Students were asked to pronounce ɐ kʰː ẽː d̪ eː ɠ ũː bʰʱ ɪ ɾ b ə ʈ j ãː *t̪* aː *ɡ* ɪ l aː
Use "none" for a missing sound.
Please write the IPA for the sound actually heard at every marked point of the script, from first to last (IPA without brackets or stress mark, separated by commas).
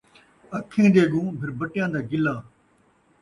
d̪, ɡ